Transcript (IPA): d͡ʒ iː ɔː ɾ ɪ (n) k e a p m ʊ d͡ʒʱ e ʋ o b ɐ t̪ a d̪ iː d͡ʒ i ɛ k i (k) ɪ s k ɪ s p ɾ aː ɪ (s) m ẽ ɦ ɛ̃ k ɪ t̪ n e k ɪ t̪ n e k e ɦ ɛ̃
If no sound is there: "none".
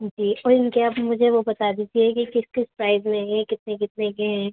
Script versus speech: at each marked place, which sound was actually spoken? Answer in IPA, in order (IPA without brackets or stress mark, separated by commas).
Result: n, k, z